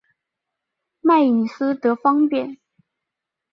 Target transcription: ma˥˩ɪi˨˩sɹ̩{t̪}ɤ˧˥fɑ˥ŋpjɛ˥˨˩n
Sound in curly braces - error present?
no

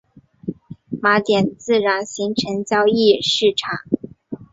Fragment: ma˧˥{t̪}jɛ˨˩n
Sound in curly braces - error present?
no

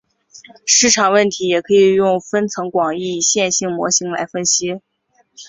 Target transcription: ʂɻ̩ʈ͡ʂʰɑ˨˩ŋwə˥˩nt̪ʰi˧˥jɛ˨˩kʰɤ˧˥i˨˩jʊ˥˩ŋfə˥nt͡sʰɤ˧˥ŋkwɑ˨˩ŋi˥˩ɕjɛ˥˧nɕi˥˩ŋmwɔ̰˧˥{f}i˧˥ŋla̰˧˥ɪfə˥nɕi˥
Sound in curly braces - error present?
yes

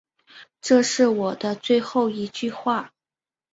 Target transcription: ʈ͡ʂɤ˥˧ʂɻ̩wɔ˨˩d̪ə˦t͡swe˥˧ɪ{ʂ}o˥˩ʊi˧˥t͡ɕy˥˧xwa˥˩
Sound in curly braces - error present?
yes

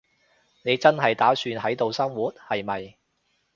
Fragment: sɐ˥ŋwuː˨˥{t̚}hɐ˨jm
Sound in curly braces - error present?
no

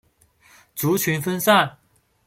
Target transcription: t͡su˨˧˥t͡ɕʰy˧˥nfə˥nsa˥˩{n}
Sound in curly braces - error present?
no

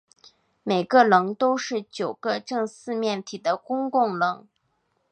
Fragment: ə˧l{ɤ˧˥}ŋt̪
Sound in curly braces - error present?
no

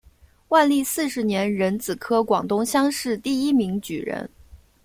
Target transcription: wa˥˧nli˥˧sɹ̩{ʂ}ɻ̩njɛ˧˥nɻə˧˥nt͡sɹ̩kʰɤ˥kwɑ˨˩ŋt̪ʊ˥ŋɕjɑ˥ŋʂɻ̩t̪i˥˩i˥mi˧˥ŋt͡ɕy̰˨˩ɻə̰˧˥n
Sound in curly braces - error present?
no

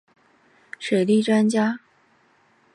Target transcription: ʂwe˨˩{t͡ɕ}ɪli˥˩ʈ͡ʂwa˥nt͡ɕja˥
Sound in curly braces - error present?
yes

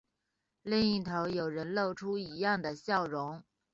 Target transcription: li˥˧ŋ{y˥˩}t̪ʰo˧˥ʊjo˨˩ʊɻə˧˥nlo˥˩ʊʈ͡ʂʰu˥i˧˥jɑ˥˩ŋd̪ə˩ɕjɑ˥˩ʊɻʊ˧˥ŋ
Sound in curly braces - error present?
yes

